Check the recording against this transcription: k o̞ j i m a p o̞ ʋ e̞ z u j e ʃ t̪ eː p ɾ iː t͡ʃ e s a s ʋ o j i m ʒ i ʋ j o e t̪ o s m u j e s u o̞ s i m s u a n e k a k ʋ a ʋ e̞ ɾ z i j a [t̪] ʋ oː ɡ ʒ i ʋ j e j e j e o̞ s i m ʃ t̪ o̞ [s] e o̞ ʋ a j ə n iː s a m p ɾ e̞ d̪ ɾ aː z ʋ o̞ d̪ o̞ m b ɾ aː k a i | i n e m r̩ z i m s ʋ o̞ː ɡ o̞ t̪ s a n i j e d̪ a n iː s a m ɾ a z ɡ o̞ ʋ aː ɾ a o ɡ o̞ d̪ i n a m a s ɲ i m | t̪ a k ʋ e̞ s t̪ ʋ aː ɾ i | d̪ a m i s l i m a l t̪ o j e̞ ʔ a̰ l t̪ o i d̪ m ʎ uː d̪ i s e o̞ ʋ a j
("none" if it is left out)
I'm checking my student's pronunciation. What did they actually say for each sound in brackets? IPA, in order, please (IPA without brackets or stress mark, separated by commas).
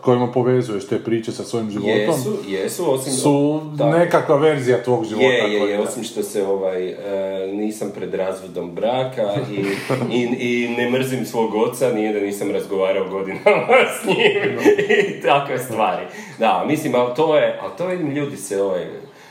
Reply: t̪, s